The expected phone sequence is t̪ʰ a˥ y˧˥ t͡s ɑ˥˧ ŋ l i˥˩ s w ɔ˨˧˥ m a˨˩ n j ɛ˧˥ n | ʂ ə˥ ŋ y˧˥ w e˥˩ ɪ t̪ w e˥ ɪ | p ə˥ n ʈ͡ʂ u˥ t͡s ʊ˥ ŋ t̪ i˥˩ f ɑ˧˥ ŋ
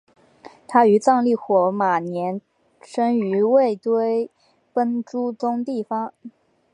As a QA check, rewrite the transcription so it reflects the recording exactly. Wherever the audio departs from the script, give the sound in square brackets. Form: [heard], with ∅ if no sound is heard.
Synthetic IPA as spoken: t̪ʰ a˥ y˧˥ t͡s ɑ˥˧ ŋ l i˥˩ [x] w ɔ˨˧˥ m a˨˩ n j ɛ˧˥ n | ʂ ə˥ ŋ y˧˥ w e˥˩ ɪ t̪ w e˥ ɪ | p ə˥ n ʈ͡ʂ u˥ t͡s ʊ˥ ŋ t̪ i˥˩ f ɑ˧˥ ŋ